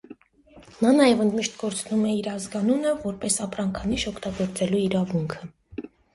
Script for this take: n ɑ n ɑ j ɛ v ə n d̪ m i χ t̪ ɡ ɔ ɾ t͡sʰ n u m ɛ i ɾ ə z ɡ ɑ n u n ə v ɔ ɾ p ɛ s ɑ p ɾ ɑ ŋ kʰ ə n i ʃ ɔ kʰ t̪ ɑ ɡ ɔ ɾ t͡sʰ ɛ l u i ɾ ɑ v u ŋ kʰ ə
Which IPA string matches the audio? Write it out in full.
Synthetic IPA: n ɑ n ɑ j ɛ v ə n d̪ m i ʃ t̪ ɡ ɔ ɾ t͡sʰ n u m ɛ i ɾ ɑ z ɡ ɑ n u n ə v ɔ ɾ p ɛ s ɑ p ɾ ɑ ŋ kʰ ɑ n i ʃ ɔ kʰ t̪ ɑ ɡ ɔ ɾ t͡s ɛ l u i ɾ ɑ v u ŋ kʰ ə